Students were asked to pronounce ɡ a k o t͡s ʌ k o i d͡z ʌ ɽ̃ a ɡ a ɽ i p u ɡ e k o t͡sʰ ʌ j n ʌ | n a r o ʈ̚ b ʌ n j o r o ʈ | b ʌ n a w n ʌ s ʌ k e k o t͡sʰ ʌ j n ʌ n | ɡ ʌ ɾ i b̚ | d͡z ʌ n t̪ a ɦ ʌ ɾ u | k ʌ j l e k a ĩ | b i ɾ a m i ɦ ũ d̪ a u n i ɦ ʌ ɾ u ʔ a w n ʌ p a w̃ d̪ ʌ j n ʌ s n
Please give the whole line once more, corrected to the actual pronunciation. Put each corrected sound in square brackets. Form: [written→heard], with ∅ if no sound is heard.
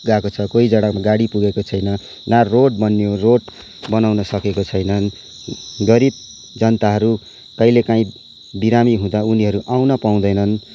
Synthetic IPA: ɡ a k o [t͡s→t͡sʰ] ʌ k o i d͡z ʌ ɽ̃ a ɡ a ɽ i p u ɡ e k o t͡sʰ ʌ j n ʌ | n a r o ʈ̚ b ʌ n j o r o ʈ | b ʌ n a w n ʌ s ʌ k e k o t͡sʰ ʌ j n ʌ n | ɡ ʌ ɾ i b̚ | d͡z ʌ n t̪ a ɦ ʌ ɾ u | k ʌ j l e k a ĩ | b i ɾ a m i ɦ ũ d̪ a u n i ɦ ʌ ɾ u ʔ a w n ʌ p a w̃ d̪ ʌ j n ʌ [s→∅] n